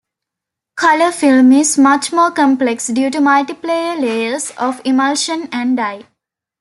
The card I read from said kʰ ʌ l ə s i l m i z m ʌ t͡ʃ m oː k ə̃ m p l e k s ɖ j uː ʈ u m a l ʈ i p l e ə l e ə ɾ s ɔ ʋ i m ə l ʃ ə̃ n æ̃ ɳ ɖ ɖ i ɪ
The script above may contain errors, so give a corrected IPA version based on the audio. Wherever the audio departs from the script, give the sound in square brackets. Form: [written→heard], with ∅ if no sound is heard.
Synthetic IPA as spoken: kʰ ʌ l ə [s→f] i l m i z m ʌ t͡ʃ m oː k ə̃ m p l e k s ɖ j uː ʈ u m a l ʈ i p l e ə l e ə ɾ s ɔ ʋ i m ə l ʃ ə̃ n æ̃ ɳ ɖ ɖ [i→a] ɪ